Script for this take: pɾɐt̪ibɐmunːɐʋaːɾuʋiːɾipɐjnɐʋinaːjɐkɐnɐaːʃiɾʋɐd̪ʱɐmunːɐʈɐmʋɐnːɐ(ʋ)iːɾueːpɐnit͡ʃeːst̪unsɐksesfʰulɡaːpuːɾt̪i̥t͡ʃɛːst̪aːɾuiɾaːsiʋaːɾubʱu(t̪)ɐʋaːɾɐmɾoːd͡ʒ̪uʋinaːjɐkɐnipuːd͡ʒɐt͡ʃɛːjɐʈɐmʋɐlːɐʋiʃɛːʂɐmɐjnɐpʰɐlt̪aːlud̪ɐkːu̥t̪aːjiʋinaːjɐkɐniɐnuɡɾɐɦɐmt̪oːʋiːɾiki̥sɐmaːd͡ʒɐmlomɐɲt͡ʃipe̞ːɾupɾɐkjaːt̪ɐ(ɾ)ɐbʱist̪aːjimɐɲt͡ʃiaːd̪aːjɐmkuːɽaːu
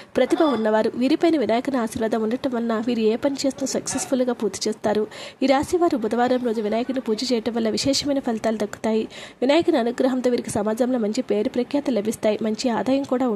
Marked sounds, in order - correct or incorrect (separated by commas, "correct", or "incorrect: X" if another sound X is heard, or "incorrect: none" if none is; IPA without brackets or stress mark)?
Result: correct, incorrect: d̪, incorrect: l